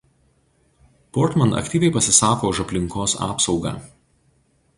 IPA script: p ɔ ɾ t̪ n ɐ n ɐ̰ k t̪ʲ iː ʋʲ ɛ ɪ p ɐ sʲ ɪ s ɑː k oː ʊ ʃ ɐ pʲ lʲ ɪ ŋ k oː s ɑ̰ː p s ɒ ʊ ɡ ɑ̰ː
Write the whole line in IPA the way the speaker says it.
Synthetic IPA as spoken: p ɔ ɾ t̪ m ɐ n ɐ̰ k t̪ʲ iː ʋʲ ɛ ɪ p ɐ sʲ ɪ s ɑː k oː ʊ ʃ ɐ pʲ lʲ ɪ ŋ k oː s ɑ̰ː p s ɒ ʊ ɡ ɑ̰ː